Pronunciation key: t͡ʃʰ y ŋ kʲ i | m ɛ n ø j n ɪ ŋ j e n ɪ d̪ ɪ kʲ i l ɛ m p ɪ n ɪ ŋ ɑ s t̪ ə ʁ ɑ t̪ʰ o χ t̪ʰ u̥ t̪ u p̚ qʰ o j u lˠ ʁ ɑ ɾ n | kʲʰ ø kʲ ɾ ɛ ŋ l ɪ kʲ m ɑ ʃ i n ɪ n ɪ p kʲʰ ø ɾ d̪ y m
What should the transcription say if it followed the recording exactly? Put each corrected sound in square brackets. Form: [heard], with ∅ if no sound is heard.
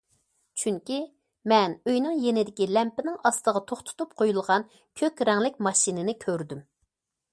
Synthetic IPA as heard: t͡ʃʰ y ŋ kʲ i | m ɛ n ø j n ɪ ŋ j e n ɪ d̪ ɪ kʲ i l ɛ m p ɪ n ɪ ŋ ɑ s t̪ ə ʁ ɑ t̪ʰ o χ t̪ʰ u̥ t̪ u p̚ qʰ o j u lˠ ʁ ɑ [∅] n | kʲʰ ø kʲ ɾ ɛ ŋ l ɪ kʲ m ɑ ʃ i n ɪ n ɪ [∅] kʲʰ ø ɾ d̪ y m